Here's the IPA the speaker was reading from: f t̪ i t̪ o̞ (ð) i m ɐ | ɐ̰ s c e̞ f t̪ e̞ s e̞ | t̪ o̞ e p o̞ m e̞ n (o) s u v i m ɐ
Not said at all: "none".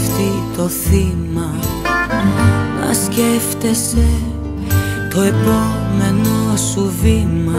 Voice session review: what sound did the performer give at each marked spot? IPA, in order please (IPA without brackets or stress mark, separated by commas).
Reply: θ, o